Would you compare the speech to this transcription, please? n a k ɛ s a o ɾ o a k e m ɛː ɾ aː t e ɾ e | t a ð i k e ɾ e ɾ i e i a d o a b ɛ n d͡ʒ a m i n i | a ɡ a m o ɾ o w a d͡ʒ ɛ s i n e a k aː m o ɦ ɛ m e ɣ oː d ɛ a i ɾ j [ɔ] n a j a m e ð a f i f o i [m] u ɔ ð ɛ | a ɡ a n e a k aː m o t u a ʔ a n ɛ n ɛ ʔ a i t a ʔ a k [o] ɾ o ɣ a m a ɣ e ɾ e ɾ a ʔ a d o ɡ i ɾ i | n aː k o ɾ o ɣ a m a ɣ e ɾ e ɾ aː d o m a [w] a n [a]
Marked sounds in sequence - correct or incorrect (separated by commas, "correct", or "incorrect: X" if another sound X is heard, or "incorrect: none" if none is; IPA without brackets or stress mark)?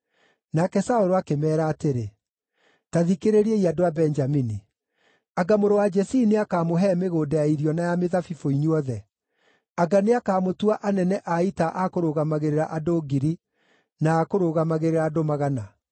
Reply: correct, incorrect: ɲ, correct, incorrect: ɣ, correct